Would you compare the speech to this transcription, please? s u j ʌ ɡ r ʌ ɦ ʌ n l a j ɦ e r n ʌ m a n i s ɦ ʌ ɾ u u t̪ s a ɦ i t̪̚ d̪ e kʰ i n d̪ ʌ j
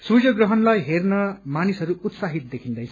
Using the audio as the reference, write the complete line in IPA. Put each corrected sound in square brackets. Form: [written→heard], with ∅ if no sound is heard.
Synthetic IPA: s u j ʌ ɡ r ʌ ɦ ʌ n l a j ɦ e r n ʌ m a n i s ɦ ʌ ɾ u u t̪ s a ɦ i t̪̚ d̪ e kʰ i n d̪ ʌ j